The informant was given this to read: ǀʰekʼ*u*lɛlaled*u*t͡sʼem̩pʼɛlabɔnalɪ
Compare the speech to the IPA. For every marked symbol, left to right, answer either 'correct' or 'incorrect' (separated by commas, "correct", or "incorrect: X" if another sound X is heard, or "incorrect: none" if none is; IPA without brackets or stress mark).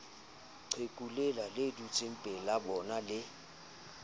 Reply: correct, correct